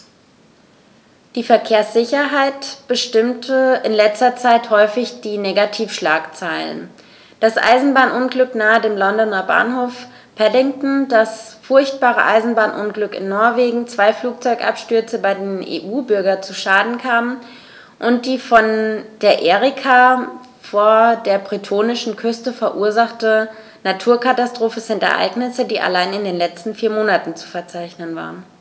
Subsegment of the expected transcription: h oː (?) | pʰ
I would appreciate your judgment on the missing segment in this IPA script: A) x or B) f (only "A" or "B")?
B